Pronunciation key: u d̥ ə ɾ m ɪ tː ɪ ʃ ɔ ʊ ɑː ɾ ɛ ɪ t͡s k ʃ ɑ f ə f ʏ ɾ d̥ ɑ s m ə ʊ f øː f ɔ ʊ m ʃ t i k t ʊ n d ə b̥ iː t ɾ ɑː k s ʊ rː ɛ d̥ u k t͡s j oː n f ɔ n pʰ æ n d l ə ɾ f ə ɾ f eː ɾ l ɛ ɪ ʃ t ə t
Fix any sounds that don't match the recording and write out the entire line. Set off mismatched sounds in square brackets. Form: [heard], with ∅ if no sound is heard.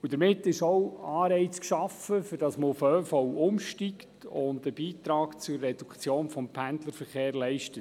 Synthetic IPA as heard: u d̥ ə ɾ m ɪ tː ɪ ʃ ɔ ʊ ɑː ɾ ɛ ɪ t͡s k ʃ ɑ f ə f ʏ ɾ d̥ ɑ s m ə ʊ f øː f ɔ ʊ m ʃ t i k t ʊ n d ə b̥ iː t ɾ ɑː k [t͡s] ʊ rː ɛ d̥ u k t͡s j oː n f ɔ [m] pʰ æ n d l ə ɾ f ə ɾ [χ] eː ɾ l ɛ ɪ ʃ t ə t

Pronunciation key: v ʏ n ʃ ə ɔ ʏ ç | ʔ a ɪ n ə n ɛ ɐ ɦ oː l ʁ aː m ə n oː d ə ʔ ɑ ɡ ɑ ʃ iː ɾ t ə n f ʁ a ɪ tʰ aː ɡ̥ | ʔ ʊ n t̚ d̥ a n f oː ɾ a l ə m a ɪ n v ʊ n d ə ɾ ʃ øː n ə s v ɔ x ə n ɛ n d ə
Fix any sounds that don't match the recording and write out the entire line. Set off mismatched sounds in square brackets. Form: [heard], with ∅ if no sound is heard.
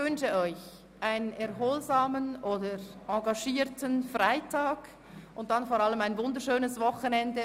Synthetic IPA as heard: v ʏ n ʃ ə ɔ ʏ ç | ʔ a ɪ n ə n ɛ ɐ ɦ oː l [z] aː m ə n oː d ə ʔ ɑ ɡ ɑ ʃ iː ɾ t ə n f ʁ a ɪ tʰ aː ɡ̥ | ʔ ʊ n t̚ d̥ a n f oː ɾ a l ə m a ɪ n v ʊ n d ə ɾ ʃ øː n ə s v ɔ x ə n ɛ n d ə

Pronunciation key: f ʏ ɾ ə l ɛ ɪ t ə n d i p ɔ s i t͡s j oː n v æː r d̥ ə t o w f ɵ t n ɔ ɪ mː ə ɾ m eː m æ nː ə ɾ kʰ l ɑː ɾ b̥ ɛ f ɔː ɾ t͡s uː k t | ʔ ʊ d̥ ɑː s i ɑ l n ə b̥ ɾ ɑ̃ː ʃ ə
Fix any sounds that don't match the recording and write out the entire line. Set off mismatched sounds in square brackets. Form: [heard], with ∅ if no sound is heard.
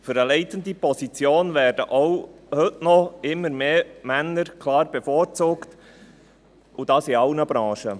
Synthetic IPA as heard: f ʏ ɾ ə l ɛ ɪ t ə n d i p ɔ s i t͡s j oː n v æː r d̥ ə [ʔ] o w [h] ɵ t n ɔ ɪ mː ə ɾ m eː m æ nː ə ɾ kʰ l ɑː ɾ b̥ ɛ f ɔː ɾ t͡s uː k t | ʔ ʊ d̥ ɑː s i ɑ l n ə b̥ ɾ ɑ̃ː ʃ ə

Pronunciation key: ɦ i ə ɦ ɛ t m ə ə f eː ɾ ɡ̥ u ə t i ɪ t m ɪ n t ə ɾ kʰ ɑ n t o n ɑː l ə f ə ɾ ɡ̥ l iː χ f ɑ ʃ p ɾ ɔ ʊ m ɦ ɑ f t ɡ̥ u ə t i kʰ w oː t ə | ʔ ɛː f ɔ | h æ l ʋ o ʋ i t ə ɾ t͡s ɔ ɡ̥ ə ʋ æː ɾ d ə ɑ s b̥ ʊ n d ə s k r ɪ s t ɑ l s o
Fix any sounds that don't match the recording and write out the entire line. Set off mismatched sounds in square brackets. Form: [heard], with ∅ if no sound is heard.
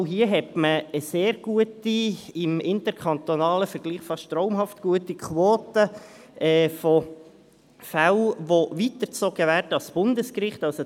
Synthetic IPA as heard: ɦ i ə ɦ ɛ t m ə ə [s] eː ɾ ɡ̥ u ə t i ɪ [∅] m ɪ n t ə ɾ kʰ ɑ n t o n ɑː l ə f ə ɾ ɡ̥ l iː χ f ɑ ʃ [t] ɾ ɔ ʊ m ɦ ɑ f t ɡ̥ u ə t i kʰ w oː t ə | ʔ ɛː f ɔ | [f] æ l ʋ o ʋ i t ə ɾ t͡s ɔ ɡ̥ ə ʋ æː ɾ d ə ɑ s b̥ ʊ n d ə s k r ɪ [χ] t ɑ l s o

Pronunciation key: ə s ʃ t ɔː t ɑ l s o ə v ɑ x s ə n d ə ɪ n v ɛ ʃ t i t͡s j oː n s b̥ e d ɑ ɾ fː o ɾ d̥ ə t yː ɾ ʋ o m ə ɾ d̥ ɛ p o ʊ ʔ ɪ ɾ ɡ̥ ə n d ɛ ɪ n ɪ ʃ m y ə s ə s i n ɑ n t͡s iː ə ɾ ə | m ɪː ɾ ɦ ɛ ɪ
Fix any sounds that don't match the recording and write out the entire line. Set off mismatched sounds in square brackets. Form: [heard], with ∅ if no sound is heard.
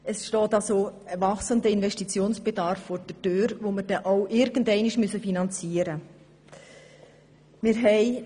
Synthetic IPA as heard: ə s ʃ t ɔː t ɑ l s o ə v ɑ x s ə n d ə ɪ n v ɛ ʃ t i t͡s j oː n s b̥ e d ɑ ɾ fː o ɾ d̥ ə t [øː] ɾ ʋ o m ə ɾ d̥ ɛ [ʔ] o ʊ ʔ ɪ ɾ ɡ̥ ə n d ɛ ɪ n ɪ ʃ m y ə s ə [f] i n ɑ n t͡s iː ə ɾ ə | m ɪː ɾ ɦ ɛ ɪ

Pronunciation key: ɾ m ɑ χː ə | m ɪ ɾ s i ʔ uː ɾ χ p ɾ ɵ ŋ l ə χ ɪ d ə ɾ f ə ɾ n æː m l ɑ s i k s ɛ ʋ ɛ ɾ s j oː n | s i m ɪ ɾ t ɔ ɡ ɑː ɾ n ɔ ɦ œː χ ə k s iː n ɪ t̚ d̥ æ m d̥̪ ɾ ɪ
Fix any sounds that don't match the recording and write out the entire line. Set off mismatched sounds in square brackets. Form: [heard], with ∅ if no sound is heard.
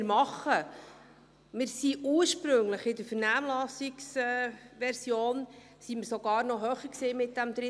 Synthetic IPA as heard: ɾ m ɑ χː ə | m ɪ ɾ s i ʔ uː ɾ [ʃ] p ɾ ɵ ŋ l ə χ ɪ d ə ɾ f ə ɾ n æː m l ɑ s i k s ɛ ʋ ɛ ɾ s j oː n | s i m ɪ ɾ [s] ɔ ɡ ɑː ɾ n ɔ ɦ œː χ ə k s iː [m] ɪ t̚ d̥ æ m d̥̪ ɾ ɪ

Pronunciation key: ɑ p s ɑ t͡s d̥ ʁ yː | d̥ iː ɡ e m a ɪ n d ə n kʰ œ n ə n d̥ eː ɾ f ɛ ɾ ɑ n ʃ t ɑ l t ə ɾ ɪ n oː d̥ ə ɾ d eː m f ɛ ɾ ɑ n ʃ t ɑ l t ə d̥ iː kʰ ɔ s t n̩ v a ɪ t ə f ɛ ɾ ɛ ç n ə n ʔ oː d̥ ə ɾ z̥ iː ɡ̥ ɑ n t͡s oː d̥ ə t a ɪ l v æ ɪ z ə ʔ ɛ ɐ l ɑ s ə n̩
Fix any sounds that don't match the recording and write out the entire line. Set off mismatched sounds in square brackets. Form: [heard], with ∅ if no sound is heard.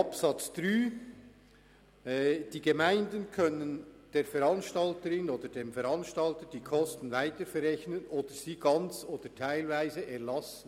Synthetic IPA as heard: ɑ p s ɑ t͡s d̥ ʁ yː | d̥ iː ɡ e m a ɪ n d ə n kʰ œ n ə n d̥ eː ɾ f ɛ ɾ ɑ n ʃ t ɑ l t ə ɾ ɪ n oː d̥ ə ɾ d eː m f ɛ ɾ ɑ n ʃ t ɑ l t ə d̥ iː kʰ ɔ s t n̩ v a ɪ t ə f ɛ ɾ ɛ ç n ə n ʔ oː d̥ ə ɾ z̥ iː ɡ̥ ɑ n t͡s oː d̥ ə [tʰ] a ɪ l v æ ɪ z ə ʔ ɛ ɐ l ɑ s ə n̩

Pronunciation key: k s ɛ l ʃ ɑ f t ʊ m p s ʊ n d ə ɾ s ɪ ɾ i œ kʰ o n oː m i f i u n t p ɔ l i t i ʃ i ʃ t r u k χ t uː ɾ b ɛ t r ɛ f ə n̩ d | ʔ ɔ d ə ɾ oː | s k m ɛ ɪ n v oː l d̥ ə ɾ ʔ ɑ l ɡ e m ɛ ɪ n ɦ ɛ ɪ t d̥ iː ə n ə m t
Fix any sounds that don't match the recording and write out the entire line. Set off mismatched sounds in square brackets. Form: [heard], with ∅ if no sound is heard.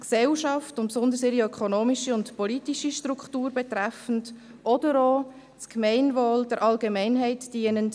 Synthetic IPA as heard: k s ɛ l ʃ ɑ f t ʊ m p s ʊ n d ə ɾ s ɪ ɾ i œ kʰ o n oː m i [ʃ] i [ʊ] n t p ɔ l i t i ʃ i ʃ t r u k χ t uː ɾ b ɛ t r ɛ f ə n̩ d | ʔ ɔ d ə ɾ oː | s k m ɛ ɪ n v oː l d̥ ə ɾ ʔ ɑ l ɡ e m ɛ ɪ n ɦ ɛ ɪ t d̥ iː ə n ə [n] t

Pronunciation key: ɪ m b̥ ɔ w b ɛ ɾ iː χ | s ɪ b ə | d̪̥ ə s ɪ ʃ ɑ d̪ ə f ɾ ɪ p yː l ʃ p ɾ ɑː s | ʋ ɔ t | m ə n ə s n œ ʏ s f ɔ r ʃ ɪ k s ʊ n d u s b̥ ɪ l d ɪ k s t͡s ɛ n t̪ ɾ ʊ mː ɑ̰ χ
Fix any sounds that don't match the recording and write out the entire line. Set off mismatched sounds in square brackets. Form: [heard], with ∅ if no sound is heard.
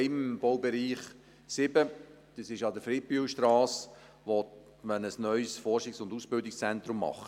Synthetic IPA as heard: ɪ m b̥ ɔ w b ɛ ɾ iː χ | s ɪ b ə | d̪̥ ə s ɪ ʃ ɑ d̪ ə f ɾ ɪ p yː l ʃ [t] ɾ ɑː s | ʋ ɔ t | m ə n ə s n œ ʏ s f ɔ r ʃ ɪ k s ʊ n d u s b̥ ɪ l d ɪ k s t͡s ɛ n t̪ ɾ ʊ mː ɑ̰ χ

